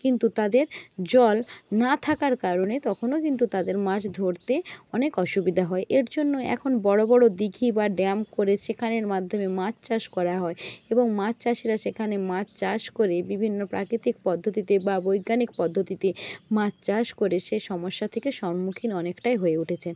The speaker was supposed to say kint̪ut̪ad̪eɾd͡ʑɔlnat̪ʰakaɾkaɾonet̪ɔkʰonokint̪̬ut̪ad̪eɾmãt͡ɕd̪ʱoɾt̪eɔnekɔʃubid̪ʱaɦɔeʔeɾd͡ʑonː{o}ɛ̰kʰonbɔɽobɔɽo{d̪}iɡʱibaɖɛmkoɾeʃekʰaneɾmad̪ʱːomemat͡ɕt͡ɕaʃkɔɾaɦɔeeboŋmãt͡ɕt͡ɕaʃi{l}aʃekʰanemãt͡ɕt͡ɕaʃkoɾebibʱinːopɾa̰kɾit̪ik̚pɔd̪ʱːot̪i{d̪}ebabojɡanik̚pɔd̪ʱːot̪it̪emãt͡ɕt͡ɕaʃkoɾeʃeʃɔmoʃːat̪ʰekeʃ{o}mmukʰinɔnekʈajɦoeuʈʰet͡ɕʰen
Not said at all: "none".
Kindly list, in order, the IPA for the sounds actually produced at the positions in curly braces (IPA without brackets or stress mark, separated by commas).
o, d̪, ɾ, t̪, ɔ